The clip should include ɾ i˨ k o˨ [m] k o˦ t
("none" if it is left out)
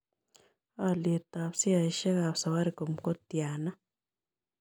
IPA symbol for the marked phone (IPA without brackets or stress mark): m